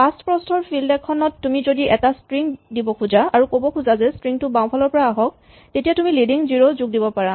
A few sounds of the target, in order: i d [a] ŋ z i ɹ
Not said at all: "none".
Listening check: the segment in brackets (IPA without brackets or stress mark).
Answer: i